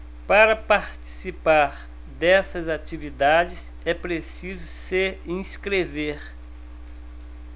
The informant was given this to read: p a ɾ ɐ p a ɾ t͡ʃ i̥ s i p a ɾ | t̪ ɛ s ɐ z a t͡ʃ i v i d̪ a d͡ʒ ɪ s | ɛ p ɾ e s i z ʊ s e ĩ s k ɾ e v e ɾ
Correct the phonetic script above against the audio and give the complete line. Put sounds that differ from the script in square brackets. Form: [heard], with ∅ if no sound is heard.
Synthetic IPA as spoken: p a ɾ ɐ p a ɾ t͡ʃ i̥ s i p a ɾ | [d̪] ɛ s ɐ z a t͡ʃ i v i d̪ a d͡ʒ ɪ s | ɛ p ɾ e s i z ʊ s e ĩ s k ɾ e v e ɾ